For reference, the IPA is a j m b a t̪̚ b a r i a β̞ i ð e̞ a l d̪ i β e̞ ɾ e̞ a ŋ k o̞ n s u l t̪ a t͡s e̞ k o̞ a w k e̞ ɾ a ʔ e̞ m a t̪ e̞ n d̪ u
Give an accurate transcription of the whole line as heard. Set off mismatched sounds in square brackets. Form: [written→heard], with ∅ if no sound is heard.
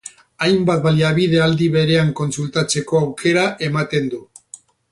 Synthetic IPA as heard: a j m b a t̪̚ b a [r→l] i a β̞ i ð e̞ a l d̪ i β e̞ ɾ e̞ a ŋ k o̞ n s u l t̪ a t͡s e̞ k o̞ a w k e̞ ɾ a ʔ e̞ m a t̪ e̞ n d̪ u